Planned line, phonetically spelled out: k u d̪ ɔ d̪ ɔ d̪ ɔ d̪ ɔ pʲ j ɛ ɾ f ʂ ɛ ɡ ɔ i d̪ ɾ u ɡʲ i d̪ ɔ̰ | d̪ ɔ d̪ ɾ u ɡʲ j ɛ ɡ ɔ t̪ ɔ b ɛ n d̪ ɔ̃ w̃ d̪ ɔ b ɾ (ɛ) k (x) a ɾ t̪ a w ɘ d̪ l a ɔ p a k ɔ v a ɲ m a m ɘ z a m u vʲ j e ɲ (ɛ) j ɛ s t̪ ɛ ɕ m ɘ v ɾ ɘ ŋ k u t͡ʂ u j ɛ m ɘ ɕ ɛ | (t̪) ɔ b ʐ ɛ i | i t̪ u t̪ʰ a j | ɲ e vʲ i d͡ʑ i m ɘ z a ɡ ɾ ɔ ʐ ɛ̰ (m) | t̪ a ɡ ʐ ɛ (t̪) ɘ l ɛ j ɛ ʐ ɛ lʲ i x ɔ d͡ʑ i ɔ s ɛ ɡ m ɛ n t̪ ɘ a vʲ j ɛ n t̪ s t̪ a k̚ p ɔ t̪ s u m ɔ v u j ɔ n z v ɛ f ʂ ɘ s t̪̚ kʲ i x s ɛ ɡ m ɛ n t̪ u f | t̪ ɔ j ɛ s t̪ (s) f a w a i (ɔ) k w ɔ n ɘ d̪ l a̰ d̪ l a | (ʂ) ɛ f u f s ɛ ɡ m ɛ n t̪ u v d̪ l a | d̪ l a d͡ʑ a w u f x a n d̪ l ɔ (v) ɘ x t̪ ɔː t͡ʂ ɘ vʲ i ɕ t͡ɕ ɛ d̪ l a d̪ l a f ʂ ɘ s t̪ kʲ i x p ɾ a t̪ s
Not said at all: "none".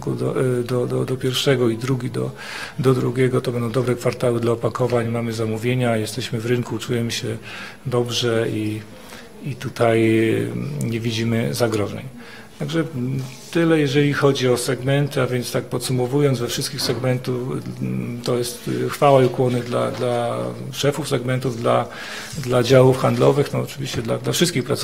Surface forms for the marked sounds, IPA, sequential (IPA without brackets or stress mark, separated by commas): ɛ, f, a, d̪, ɲ, t̪, x, u, ʂ, v